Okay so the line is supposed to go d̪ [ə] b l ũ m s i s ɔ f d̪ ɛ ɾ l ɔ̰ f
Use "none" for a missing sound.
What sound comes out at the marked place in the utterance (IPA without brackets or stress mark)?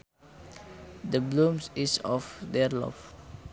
ə